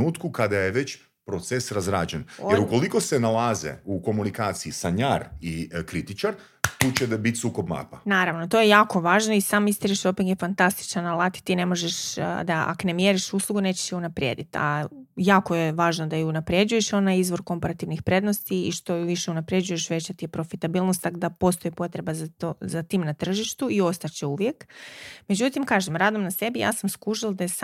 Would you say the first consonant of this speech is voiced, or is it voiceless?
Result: voiceless